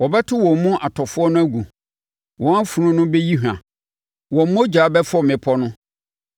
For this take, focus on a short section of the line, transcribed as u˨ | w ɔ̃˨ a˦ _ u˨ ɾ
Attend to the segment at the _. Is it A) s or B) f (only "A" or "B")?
B